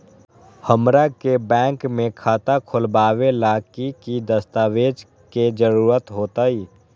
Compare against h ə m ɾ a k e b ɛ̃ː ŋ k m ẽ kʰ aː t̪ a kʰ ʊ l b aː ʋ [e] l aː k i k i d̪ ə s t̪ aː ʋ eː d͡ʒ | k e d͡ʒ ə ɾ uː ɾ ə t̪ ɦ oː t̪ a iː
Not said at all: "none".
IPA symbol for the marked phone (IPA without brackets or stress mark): e